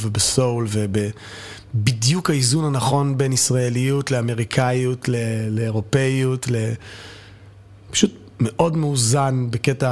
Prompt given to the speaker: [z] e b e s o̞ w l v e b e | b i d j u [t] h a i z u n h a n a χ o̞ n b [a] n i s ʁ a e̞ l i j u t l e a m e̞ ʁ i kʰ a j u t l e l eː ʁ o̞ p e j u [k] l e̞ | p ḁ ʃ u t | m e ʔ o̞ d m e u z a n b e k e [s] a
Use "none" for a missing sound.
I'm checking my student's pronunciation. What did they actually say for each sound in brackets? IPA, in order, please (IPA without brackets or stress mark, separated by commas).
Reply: v, k, e, t, t